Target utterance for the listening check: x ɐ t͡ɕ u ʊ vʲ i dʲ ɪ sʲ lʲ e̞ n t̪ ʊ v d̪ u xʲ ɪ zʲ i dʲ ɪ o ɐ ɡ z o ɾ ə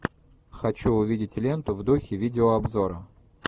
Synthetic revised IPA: x ɐ t͡ɕ u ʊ vʲ i dʲ ɪ tʲ lʲ e̞ n t̪ ʊ v d̪ u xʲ ɪ vʲ i dʲ ɪ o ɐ b z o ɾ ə